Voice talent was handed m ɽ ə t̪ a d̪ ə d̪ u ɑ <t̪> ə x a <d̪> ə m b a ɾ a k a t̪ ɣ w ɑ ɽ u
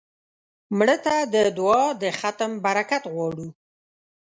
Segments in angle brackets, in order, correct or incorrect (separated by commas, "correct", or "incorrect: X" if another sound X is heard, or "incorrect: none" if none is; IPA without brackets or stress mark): incorrect: d̪, incorrect: t̪